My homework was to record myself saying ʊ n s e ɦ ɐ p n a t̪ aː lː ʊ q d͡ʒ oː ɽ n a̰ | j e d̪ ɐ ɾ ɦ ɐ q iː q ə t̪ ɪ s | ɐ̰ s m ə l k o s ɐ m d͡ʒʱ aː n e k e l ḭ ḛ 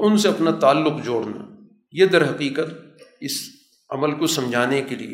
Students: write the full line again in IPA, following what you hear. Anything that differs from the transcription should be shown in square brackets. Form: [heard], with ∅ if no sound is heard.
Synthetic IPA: ʊ n s e [∅] ɐ p n a t̪ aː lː ʊ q d͡ʒ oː ɽ n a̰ | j e d̪ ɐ ɾ ɦ ɐ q iː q ə t̪ ɪ s | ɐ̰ [∅] m ə l k o s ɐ m d͡ʒʱ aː n e k e l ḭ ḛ